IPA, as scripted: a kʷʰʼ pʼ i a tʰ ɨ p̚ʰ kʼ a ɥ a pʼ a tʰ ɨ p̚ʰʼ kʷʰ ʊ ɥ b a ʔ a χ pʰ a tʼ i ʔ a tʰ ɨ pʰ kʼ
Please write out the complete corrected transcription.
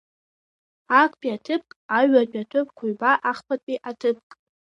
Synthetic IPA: a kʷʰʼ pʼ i a tʰ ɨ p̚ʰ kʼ a ɥ a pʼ a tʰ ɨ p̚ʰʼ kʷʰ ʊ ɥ b a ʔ a χ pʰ a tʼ i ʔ a tʰ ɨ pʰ kʼ